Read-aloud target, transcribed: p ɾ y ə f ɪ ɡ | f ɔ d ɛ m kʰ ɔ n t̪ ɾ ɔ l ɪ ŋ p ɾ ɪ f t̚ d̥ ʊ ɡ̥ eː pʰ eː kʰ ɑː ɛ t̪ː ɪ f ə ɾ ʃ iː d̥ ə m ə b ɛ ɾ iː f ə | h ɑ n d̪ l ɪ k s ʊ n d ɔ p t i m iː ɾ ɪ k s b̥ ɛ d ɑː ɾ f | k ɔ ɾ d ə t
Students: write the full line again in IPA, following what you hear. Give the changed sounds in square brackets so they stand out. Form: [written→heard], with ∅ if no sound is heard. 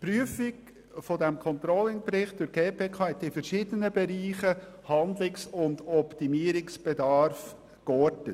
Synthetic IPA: p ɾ y ə f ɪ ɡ | f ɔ d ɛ m kʰ ɔ n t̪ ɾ ɔ l ɪ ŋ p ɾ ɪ [f→χ] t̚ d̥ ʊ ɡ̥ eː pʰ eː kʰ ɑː ɛ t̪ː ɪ f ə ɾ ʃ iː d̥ ə [m→n] ə b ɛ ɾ iː [f→χ] ə | h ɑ n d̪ l ɪ k s ʊ n d ɔ p t i m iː ɾ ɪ k s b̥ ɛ d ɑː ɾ f | k ɔ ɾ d ə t